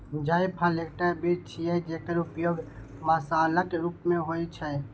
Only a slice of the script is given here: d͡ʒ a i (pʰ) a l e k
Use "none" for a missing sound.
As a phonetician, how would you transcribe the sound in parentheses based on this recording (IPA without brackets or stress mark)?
pʰ